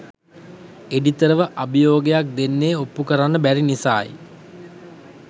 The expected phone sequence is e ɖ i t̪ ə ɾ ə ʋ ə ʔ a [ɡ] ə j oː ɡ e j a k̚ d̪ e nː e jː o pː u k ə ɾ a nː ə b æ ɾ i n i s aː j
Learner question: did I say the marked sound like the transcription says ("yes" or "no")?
no